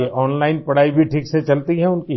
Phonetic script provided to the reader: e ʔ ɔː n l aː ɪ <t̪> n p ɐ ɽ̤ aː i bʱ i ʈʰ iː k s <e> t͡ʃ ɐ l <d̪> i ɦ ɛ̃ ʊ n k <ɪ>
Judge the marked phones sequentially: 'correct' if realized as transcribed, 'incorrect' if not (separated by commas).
incorrect, correct, incorrect, incorrect